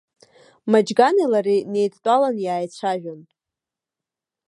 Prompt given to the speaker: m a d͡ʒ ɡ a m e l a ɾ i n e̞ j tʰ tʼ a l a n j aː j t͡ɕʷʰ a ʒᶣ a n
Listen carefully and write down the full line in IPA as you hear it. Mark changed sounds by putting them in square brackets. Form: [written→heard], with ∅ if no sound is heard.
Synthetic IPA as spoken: m a d͡ʒ ɡ a [m→n] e l a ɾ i n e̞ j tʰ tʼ a l a n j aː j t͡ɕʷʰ a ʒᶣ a n